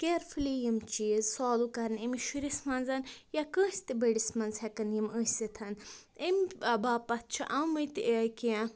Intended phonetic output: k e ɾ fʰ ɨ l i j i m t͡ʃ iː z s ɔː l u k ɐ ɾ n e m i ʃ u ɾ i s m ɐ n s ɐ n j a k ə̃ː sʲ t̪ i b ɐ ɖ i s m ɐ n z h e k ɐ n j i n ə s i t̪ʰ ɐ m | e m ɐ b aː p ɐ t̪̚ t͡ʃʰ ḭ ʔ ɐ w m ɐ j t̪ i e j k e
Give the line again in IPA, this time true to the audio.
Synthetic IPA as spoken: k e ɾ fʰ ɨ l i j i m t͡ʃ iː z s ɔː l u k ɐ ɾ n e m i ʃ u ɾ i s m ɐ n z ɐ n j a k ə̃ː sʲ t̪ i b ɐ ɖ i s m ɐ n z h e k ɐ n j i m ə s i t̪ʰ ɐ n | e m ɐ b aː p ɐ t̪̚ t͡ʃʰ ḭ ʔ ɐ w m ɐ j t̪ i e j k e